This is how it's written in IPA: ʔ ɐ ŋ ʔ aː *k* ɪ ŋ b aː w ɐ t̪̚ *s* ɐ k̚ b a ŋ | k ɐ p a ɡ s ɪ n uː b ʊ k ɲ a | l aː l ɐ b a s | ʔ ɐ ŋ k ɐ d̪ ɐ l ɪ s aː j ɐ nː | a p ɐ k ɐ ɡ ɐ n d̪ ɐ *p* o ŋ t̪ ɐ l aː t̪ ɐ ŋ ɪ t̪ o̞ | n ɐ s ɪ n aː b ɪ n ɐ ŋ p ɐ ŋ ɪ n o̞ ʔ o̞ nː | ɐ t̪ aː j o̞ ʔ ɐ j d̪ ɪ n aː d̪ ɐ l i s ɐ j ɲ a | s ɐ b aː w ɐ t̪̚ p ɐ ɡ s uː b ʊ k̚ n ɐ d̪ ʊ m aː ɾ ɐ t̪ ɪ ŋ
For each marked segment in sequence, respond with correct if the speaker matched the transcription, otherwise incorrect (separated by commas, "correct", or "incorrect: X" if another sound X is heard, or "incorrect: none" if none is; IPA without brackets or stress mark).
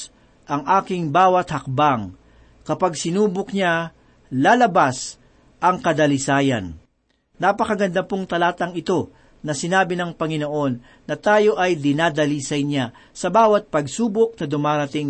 correct, incorrect: h, correct